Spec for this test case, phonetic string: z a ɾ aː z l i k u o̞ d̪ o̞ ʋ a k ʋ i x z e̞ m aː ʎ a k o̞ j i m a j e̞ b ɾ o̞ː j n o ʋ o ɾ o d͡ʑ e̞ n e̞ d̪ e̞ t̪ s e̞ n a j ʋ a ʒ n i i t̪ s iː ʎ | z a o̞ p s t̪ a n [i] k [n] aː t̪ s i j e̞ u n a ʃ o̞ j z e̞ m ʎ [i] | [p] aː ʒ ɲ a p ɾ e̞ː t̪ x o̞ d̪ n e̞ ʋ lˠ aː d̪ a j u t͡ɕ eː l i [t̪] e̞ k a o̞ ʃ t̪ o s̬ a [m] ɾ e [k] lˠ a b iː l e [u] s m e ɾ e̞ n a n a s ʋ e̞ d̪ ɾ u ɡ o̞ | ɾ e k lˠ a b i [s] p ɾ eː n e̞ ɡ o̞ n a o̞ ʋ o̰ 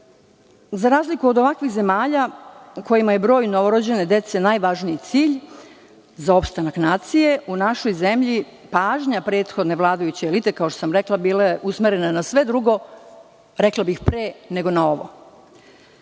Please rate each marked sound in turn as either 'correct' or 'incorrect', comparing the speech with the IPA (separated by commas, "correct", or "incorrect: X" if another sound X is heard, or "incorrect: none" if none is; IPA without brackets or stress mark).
incorrect: a, correct, correct, correct, correct, correct, correct, correct, incorrect: x